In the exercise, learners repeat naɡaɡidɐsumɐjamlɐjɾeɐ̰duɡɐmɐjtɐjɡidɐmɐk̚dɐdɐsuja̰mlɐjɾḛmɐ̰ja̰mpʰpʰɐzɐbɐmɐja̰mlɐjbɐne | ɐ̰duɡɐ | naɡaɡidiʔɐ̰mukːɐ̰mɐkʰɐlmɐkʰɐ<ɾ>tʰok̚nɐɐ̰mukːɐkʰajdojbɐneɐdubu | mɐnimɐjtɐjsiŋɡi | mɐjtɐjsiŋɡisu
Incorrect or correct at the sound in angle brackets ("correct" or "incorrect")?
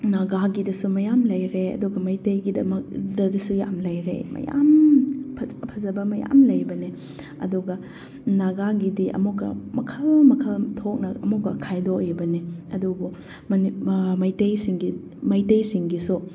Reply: incorrect